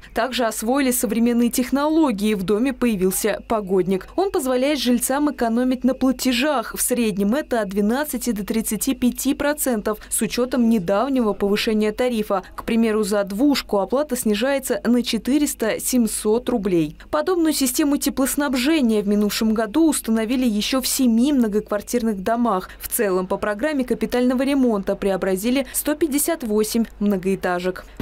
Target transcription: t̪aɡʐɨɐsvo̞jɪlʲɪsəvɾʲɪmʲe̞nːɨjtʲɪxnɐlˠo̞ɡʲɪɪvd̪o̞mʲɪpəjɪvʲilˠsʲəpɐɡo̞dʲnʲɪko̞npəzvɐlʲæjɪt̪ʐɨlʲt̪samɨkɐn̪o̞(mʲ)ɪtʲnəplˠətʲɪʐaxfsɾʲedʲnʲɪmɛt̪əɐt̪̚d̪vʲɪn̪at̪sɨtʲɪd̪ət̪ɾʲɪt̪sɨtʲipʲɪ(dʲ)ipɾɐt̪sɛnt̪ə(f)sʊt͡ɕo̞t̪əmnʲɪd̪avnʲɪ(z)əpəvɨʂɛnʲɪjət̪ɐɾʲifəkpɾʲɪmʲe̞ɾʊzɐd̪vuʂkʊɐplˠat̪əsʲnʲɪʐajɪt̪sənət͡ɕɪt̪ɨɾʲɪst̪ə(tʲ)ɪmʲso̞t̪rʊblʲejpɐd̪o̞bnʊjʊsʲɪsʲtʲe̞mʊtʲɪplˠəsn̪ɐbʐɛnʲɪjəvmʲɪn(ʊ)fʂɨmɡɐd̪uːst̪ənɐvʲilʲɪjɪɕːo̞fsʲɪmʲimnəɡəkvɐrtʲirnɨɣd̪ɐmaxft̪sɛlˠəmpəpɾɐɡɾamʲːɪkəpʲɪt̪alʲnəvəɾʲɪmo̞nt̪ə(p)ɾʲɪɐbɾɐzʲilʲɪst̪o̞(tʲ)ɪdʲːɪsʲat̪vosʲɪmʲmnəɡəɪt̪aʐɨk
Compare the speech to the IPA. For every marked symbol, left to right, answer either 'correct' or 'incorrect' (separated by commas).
correct, incorrect, correct, incorrect, incorrect, incorrect, correct, incorrect